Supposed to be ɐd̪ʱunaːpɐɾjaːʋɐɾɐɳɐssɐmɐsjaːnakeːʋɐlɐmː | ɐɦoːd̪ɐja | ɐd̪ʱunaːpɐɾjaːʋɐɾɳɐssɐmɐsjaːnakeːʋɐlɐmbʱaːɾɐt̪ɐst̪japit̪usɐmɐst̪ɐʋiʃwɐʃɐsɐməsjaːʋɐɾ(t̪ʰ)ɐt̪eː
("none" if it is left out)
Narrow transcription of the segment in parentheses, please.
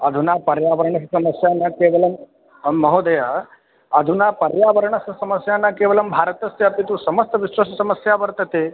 t̪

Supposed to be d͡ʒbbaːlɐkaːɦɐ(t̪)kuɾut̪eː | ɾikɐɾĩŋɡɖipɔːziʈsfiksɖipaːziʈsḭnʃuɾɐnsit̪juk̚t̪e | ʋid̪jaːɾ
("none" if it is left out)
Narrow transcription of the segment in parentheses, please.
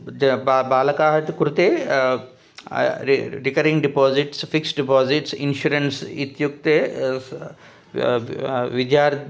t̪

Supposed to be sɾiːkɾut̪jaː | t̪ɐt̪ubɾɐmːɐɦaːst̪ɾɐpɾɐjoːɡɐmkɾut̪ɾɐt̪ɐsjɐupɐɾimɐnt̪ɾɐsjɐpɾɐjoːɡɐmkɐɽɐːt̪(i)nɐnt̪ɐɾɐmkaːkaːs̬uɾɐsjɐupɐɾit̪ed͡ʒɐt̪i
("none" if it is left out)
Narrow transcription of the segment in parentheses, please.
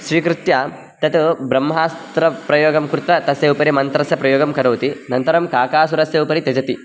i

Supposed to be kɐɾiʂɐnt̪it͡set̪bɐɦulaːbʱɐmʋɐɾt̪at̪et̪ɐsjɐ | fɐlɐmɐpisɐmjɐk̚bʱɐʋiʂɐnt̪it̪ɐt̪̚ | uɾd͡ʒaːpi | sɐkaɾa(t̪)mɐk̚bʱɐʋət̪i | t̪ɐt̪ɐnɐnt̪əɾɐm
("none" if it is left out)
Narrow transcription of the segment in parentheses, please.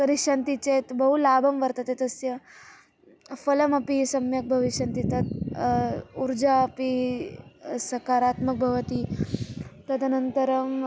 t̪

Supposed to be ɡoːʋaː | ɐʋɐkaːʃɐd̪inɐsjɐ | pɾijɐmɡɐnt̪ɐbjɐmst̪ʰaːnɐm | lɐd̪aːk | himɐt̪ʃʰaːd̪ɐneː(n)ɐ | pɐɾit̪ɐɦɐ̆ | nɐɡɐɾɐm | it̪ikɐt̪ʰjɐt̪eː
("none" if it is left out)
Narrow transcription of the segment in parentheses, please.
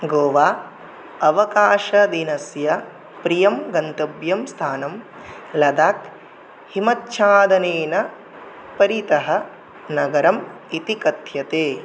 n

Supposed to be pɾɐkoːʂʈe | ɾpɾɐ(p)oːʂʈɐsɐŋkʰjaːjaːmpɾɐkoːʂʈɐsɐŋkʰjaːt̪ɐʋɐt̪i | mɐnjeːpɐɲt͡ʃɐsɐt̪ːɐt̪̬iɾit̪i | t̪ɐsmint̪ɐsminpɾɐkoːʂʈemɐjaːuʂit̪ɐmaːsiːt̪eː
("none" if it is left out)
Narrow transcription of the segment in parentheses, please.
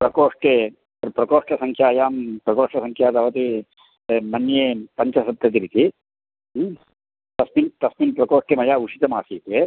k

